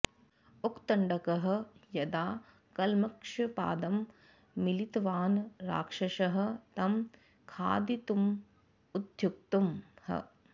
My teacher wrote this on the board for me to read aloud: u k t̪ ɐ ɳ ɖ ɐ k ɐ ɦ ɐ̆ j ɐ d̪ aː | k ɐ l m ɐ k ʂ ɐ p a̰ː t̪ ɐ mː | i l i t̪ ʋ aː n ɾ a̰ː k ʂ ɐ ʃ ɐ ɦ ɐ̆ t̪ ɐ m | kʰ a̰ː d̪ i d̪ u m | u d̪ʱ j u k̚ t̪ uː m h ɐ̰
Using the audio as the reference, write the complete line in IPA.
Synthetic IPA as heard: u k t̪ ɐ ɳ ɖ ɐ k ɐ ɦ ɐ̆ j ɐ d̪ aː | k ɐ l m ɐ k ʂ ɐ p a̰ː d̪ ɐ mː | i l i t̪ ʋ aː n ɾ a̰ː k ʂ ɐ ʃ ɐ ɦ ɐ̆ t̪ ɐ m | kʰ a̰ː d̪ i t̪ u m | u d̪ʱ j u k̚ t̪ u m h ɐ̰